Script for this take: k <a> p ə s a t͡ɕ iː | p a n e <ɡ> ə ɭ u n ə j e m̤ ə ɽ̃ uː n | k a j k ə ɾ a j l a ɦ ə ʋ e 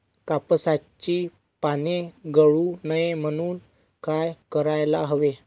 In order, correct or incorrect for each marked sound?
correct, correct

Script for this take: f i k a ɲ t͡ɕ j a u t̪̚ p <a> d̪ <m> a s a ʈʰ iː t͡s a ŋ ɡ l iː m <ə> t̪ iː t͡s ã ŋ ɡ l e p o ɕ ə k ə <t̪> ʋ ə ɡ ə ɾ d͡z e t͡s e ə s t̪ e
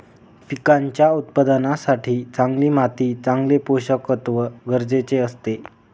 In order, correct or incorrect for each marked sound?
incorrect: ə, incorrect: n, incorrect: a, correct

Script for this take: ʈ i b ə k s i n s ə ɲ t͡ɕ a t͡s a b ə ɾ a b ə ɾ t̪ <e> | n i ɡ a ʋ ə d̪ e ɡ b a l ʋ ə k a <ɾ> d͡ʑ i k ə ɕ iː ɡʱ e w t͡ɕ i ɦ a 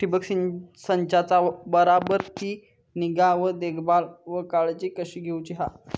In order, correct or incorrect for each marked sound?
incorrect: i, incorrect: ɭ

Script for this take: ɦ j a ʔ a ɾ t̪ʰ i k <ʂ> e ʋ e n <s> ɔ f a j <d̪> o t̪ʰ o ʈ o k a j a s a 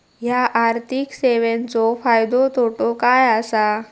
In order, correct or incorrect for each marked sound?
incorrect: s, incorrect: t͡s, correct

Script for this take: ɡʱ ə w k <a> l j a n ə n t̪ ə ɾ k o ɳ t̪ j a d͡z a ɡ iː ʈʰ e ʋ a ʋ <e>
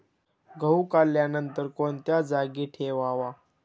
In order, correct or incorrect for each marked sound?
correct, incorrect: a

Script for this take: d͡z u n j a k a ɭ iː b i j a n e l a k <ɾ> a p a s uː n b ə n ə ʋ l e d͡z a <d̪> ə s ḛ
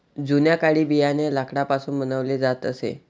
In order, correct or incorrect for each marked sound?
incorrect: ɽ, incorrect: t̪

